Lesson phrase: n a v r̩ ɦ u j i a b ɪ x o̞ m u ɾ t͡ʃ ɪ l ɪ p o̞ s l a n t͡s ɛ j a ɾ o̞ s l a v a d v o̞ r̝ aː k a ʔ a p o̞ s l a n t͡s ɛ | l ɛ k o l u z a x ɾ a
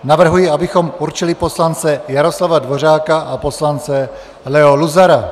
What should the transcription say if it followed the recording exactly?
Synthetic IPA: n a v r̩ ɦ u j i a b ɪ x o̞ m u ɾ t͡ʃ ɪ l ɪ p o̞ s l a n t͡s ɛ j a ɾ o̞ s l a v a d v o̞ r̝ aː k a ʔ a p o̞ s l a n t͡s ɛ | l ɛ o l u z a ɾ a